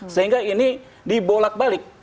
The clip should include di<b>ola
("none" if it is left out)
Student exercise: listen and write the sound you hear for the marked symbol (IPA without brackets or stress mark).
b